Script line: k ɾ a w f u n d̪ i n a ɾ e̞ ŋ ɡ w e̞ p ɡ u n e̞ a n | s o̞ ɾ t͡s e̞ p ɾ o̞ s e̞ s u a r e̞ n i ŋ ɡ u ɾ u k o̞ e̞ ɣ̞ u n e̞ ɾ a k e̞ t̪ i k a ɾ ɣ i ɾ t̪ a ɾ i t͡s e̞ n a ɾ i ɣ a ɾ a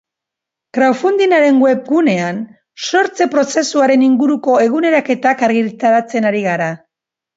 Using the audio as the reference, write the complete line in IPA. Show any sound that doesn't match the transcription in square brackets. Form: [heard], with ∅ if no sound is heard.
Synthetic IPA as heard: k ɾ a w f u n d̪ i n a ɾ e̞ ŋ ɡ w e̞ p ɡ u n e̞ a n | s o̞ ɾ t͡s e̞ p ɾ o̞ s e̞ s u a [ɾ] e̞ n i ŋ ɡ u ɾ u k o̞ e̞ ɣ̞ u n e̞ ɾ a k e̞ t̪ [a] k a ɾ ɣ i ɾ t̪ a ɾ [a] t͡s e̞ n a ɾ i ɣ a ɾ a